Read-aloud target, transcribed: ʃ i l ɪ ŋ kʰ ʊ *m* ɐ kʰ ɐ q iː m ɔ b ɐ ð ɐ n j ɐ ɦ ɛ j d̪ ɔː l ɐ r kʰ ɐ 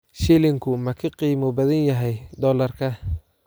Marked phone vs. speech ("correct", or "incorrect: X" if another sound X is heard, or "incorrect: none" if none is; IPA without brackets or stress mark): correct